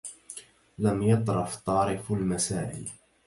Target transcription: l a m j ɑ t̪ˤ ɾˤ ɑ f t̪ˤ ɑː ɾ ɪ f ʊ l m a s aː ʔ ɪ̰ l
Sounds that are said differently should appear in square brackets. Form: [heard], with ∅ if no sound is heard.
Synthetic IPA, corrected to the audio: l a m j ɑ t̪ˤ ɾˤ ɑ f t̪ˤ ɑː ɾ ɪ f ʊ l m a s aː ʔ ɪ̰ l